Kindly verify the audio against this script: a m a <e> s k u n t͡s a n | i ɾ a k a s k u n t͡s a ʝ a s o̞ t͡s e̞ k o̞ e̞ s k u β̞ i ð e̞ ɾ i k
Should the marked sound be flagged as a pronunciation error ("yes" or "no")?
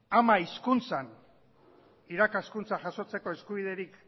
yes